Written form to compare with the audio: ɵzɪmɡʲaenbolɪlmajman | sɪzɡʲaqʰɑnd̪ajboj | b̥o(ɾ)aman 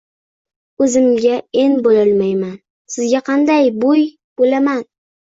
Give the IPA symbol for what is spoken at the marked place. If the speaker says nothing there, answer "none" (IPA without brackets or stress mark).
l